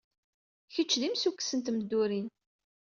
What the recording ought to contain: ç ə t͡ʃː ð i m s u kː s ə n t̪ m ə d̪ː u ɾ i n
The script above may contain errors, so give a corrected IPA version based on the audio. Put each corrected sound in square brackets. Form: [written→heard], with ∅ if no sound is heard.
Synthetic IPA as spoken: ç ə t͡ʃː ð i m s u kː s ə n t̪ m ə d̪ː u ɾ i n